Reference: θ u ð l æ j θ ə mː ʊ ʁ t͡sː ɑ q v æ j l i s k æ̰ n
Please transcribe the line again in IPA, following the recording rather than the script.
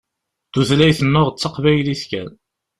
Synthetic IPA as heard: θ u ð l æ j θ ə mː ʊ ʁ t͡sː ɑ q v æ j l i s k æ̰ n